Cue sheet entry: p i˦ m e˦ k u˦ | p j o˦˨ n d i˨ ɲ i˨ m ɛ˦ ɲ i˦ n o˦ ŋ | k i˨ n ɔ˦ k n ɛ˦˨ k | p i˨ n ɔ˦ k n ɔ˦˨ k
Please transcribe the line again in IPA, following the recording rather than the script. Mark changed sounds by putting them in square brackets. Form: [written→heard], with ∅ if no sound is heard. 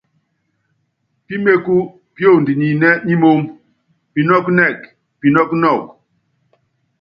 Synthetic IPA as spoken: p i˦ m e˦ k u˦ | p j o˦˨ n d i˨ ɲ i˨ [m→n] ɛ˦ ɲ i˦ [n→m] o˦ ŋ | [k→p] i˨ n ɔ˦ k n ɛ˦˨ k | p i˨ n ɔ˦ k n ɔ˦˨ k